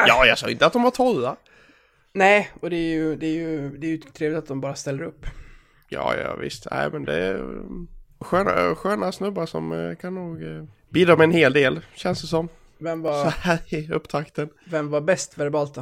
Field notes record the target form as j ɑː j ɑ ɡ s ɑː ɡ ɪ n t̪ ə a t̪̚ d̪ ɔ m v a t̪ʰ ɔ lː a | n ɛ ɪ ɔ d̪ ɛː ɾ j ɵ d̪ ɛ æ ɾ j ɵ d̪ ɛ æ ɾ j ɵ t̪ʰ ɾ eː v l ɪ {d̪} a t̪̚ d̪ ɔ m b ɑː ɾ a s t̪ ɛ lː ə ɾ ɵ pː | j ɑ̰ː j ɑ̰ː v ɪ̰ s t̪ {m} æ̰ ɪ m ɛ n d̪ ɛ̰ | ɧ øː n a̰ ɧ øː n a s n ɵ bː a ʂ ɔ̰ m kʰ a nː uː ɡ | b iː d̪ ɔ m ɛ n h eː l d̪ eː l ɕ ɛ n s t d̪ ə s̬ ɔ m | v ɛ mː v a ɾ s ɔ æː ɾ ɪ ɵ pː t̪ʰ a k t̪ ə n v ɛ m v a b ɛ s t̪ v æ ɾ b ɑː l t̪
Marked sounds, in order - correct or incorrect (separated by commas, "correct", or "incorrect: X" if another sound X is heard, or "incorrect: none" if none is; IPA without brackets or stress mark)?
incorrect: t̪, incorrect: n